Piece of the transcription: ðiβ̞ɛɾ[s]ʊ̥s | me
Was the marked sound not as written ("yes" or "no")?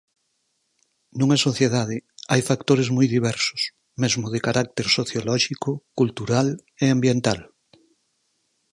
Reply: no